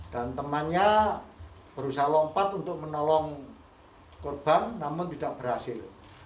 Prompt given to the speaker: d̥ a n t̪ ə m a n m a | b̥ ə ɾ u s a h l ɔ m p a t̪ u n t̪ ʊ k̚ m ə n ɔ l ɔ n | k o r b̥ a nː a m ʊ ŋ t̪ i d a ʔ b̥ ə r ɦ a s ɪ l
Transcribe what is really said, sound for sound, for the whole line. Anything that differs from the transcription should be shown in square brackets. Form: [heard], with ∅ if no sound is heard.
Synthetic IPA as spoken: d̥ a n t̪ ə m a n [ɲ] a | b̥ ə ɾ u s a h l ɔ m p a t̪ u n t̪ ʊ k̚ m ə n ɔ l ɔ [ŋ] | k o r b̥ a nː a m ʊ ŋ t̪ i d a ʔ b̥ ə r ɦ a s ɪ l